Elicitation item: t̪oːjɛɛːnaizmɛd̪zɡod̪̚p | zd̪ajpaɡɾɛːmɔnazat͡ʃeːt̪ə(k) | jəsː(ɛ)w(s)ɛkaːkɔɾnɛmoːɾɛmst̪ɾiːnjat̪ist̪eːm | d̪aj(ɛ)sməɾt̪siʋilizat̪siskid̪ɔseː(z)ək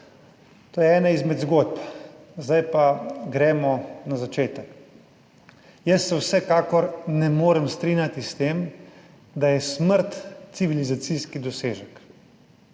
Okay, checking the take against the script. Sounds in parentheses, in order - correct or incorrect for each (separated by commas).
correct, correct, correct, correct, incorrect